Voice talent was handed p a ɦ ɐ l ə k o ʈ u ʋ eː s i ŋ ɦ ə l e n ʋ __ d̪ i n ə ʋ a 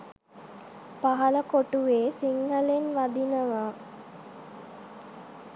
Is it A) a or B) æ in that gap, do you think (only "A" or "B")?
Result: A